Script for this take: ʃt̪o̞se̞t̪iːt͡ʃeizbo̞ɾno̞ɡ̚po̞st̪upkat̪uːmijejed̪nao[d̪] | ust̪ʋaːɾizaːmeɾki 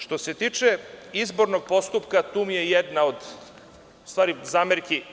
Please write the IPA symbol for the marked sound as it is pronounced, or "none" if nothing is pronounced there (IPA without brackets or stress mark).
d̪